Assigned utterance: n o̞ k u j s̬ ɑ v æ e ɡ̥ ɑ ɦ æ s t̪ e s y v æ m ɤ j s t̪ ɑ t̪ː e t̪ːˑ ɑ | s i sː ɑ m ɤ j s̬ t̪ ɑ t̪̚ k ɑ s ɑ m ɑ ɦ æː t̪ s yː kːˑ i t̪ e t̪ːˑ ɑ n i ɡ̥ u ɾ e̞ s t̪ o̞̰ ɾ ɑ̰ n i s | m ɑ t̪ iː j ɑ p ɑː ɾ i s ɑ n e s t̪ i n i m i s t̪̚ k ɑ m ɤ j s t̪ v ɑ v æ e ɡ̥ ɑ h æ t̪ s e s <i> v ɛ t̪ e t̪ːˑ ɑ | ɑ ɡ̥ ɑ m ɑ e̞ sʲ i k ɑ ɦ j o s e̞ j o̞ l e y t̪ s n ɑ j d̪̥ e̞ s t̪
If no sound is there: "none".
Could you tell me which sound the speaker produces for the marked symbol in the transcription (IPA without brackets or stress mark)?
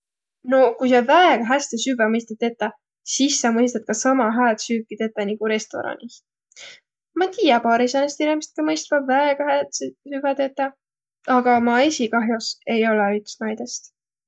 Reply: y